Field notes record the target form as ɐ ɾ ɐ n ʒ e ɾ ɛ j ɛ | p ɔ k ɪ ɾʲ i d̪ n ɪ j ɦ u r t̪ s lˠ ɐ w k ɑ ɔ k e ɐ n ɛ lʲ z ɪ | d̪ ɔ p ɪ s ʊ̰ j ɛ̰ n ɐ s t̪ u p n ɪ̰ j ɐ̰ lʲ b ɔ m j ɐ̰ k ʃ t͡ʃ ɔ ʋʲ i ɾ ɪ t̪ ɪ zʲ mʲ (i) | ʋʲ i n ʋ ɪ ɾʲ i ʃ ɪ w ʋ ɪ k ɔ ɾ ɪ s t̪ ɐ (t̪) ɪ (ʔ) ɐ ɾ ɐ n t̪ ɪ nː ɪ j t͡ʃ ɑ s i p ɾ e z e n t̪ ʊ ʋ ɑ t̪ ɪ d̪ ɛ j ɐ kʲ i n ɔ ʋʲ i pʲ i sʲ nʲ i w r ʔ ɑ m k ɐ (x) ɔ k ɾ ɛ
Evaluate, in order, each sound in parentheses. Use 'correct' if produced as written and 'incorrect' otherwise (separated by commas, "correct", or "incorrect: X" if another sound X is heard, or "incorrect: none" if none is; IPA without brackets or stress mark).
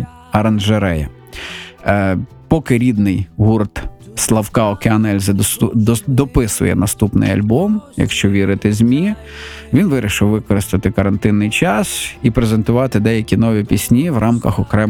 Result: correct, correct, incorrect: k, correct